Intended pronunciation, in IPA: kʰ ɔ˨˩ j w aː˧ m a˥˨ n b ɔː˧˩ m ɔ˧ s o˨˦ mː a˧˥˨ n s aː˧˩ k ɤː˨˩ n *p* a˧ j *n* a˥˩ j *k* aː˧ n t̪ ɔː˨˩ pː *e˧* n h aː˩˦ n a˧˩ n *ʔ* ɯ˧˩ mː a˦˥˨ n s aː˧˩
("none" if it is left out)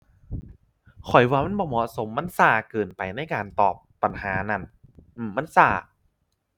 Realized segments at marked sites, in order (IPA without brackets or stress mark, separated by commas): p, n, k, a˧, ʔ